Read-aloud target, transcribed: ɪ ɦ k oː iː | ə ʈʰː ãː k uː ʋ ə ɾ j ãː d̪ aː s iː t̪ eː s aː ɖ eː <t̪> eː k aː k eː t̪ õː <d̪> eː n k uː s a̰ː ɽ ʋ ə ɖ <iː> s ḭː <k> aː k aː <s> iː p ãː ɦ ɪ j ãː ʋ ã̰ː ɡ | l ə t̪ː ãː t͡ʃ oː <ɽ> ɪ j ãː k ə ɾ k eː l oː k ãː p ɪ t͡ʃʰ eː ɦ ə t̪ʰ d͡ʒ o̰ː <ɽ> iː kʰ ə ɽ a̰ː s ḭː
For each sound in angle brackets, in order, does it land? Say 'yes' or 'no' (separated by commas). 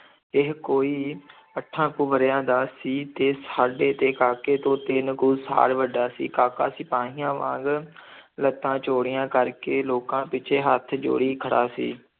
yes, no, no, yes, yes, yes, yes